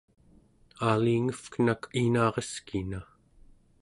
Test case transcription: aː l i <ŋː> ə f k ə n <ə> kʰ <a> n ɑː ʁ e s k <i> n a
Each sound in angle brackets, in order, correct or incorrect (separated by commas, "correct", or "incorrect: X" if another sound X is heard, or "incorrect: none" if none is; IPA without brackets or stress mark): incorrect: ŋ, incorrect: a, incorrect: i, correct